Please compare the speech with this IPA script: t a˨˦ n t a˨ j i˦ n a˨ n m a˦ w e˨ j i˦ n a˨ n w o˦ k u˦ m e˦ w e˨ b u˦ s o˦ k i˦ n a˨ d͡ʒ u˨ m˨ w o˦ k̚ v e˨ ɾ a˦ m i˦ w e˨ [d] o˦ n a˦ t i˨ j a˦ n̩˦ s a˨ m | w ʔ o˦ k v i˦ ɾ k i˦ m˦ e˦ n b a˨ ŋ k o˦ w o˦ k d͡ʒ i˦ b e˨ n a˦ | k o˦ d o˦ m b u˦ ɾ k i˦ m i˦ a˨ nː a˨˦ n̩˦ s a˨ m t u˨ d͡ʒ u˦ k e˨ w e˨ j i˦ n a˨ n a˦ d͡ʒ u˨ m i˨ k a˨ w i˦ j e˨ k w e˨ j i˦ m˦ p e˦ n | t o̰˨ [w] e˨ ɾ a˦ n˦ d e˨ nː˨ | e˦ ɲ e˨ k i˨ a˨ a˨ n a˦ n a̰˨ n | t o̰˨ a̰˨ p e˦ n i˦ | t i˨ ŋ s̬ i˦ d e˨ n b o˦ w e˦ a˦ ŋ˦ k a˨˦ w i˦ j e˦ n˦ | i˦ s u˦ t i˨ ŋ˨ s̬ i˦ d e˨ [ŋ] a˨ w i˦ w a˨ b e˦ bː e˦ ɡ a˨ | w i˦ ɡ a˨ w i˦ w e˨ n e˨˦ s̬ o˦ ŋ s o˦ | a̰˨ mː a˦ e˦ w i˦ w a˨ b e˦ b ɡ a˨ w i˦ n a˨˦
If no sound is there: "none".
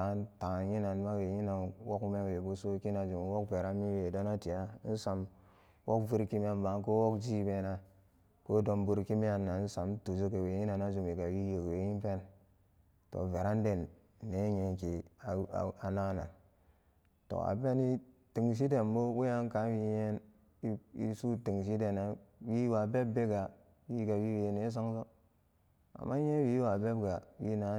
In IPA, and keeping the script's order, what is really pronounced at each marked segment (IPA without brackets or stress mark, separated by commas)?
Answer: d, v, n